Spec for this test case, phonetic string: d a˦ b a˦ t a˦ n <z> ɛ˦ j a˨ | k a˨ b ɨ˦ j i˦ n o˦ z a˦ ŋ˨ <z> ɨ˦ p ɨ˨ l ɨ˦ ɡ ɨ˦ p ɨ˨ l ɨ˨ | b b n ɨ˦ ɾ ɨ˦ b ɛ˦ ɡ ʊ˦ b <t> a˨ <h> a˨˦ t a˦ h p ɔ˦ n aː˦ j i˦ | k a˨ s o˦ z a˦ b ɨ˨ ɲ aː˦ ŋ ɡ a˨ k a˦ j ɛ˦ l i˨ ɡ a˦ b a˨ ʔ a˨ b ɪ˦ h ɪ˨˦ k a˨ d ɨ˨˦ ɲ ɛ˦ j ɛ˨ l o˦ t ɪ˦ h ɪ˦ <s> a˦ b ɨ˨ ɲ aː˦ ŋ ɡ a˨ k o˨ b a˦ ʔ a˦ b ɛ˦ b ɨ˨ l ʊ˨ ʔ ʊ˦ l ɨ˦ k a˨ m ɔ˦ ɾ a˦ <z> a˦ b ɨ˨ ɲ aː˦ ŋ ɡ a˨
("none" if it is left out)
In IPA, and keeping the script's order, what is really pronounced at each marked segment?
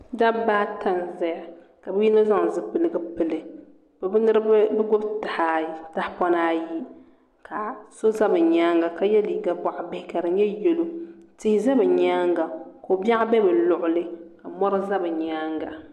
z, z, t, h, z, z

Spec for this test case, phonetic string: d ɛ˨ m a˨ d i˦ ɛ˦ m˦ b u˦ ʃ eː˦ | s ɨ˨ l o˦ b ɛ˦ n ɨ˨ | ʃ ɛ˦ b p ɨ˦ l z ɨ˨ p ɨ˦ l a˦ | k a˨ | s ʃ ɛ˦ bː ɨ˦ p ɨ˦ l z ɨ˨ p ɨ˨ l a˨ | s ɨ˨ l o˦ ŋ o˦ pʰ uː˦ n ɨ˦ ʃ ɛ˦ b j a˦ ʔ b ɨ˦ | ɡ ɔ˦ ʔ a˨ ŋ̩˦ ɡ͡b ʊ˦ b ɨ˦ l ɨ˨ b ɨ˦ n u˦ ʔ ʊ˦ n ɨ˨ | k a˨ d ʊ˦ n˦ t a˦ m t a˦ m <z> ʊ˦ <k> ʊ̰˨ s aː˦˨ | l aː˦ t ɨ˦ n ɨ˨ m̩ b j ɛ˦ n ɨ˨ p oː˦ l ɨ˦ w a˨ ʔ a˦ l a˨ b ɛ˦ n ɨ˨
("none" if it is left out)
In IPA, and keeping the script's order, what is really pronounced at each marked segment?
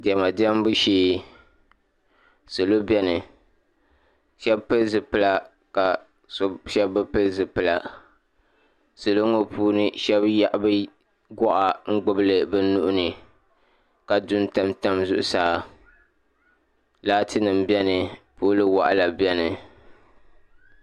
z, ʔ

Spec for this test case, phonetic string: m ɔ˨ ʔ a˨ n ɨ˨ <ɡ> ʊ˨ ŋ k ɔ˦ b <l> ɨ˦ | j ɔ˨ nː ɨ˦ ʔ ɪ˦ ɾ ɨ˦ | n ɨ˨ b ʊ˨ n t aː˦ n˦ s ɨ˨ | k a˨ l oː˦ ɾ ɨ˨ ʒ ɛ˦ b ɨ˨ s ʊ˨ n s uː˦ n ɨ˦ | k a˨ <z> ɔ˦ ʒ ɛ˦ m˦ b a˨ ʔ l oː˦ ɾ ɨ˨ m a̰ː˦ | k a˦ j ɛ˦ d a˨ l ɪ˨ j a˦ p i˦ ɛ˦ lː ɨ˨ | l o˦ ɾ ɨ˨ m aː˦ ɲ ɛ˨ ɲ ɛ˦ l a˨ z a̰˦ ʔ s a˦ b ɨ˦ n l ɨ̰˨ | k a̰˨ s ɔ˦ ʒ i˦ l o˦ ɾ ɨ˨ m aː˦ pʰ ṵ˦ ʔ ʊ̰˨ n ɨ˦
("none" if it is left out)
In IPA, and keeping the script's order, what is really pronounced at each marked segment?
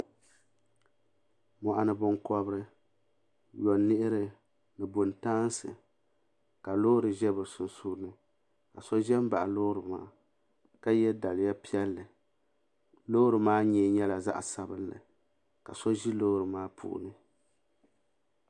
b, ɾ, s

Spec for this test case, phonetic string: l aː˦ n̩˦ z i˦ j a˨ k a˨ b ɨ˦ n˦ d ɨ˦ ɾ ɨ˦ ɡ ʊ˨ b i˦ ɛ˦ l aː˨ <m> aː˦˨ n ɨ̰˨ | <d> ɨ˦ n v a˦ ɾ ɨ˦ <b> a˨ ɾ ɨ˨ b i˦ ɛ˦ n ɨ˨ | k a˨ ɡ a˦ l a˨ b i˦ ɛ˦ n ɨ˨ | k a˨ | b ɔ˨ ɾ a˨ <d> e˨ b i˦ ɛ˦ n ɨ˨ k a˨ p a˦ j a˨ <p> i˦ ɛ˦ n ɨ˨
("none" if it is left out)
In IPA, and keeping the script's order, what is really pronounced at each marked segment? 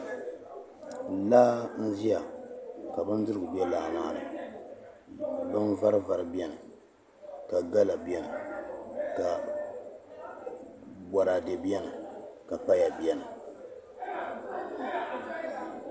n, b, v, d, b

